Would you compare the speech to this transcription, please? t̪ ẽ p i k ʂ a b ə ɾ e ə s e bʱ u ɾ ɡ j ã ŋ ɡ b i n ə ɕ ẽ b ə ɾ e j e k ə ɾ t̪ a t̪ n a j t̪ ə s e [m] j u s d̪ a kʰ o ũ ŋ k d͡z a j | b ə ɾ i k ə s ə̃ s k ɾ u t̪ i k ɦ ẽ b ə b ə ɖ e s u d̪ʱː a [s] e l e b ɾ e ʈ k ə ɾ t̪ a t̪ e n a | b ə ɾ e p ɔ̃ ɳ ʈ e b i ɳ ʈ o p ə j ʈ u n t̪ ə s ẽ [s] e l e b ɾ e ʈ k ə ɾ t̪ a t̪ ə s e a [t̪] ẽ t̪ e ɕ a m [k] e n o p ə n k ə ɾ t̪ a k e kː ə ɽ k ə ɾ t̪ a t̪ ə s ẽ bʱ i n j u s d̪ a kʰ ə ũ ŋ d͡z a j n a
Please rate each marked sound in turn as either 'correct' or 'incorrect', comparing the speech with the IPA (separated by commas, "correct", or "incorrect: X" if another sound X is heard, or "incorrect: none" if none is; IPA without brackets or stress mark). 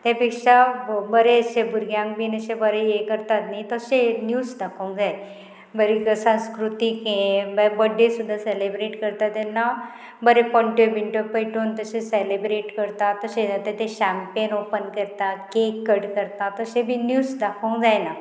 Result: incorrect: n, correct, correct, correct, incorrect: p